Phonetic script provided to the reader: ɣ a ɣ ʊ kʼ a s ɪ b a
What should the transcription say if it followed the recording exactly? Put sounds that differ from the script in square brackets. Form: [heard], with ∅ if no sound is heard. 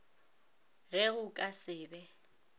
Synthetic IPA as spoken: ɣ [ɛ] ɣ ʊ kʼ a s [ɪː] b [ɛ]